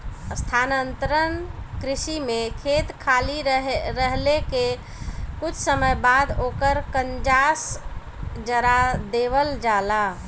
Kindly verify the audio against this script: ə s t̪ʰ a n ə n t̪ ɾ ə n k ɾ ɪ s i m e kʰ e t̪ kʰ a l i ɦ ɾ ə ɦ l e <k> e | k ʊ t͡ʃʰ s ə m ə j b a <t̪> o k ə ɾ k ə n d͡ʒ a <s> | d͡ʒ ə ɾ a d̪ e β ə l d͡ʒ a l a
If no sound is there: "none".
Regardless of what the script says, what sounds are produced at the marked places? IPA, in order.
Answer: k, d̪, s

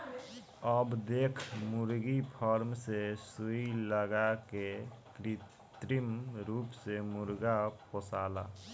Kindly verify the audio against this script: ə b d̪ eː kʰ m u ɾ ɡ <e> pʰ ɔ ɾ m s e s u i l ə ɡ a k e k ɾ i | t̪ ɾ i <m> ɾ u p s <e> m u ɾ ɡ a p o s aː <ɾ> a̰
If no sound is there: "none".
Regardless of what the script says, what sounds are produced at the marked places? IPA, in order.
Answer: i, m, e, l

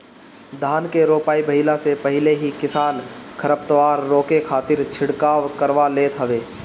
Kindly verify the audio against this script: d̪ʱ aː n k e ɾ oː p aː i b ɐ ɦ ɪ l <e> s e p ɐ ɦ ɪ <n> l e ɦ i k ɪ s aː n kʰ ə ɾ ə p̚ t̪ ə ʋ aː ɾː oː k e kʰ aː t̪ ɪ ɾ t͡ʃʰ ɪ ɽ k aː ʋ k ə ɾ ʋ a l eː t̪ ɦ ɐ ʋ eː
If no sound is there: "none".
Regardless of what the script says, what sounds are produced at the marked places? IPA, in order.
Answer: a, none

